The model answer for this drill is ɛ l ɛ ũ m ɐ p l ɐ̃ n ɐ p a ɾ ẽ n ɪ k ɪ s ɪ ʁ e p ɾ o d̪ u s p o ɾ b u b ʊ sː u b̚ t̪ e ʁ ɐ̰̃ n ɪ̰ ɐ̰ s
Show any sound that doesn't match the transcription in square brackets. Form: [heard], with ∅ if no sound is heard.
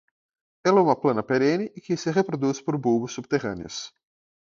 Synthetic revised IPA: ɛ l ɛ ũ m ɐ p l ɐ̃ n ɐ p [e] ɾ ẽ n ɪ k ɪ s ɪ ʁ e p ɾ o d̪ u s p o ɾ b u b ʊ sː u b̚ t̪ e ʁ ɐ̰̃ n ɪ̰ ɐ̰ s

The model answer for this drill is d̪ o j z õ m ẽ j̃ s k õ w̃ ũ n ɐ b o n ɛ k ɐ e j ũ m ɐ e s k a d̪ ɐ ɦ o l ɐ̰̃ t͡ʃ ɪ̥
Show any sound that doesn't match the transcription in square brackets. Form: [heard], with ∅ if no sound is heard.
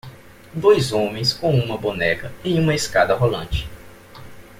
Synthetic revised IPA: d̪ o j z õ m ẽ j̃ s k õ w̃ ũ [m] ɐ b o n ɛ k ɐ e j ũ m ɐ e s k a d̪ ɐ ɦ o l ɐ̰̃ t͡ʃ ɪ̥

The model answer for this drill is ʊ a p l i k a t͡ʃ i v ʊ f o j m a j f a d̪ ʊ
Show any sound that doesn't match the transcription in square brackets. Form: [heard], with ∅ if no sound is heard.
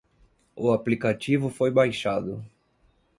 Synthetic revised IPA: ʊ a p l i k a t͡ʃ i v ʊ f o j [b] a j [ʃ] a d̪ ʊ

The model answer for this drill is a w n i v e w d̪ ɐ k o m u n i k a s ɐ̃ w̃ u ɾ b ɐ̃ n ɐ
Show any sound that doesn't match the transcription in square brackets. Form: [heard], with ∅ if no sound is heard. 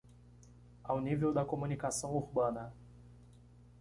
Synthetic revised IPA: a w n i v e w d̪ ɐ k o m u n i k a s ɐ̃ w̃ u ɾ b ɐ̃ n ɐ

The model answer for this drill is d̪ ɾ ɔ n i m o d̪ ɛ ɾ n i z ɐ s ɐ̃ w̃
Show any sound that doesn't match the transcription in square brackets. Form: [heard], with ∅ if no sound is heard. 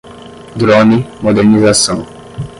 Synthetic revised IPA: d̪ ɾ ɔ n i m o d̪ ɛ ɾ n i z [a] s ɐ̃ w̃

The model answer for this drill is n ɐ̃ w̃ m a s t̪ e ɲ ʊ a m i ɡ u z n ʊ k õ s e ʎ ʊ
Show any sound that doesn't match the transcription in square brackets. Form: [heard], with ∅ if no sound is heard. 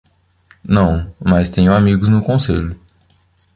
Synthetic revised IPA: n ɐ̃ w̃ m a s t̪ [ẽ] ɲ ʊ a m i ɡ [ʊ] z n ʊ k õ s e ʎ ʊ

